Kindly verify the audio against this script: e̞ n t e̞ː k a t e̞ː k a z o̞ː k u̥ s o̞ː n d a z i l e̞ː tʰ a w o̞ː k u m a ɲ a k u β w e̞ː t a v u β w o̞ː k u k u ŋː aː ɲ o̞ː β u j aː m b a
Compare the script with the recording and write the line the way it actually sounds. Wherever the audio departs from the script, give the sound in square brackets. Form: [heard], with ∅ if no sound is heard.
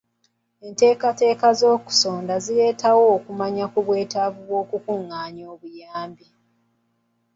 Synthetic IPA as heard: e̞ n t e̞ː k a t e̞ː k a z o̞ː k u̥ s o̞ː n d a z i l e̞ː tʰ a w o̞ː k u m a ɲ a k u β w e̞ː t a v u β w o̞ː k u k u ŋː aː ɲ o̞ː β u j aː m b [i]